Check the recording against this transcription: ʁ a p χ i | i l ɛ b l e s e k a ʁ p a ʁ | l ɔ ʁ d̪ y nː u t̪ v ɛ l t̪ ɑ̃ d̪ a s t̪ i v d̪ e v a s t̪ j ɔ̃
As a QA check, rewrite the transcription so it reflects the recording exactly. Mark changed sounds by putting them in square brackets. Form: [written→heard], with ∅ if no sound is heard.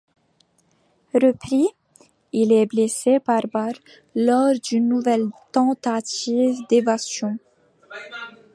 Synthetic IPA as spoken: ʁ [a→ə] p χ i | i l ɛ b l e s e [k→p] a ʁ [p→b] a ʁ | l ɔ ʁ d̪ y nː u [t̪→∅] v ɛ l t̪ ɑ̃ [d̪→t̪] a [s→∅] t̪ i v d̪ e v a s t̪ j ɔ̃